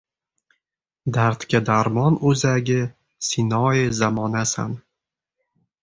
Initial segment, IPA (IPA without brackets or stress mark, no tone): d̪